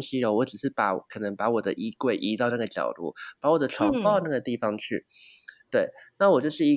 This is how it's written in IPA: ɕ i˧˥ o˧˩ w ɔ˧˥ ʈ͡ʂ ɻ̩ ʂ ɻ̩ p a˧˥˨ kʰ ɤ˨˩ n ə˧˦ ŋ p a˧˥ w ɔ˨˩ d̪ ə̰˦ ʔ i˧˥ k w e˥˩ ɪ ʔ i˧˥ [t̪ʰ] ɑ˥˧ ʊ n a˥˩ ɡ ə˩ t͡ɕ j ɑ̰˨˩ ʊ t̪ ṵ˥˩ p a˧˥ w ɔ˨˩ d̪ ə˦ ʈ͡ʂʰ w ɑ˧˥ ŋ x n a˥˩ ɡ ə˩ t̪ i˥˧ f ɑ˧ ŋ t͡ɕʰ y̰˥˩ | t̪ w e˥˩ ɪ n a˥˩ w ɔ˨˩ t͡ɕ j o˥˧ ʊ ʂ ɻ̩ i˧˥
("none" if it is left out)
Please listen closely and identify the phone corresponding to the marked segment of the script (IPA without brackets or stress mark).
t̪